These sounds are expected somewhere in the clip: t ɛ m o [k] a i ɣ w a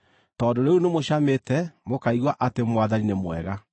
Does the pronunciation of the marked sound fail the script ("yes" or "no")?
no